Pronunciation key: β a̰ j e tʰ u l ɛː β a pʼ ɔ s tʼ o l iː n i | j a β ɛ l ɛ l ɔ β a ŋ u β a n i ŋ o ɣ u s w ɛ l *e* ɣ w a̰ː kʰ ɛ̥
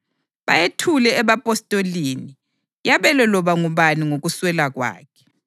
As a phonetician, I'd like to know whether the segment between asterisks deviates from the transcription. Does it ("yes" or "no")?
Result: yes